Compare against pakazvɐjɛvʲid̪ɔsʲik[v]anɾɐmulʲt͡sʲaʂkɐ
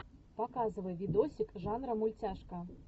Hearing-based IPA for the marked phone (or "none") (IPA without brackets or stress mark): ʐ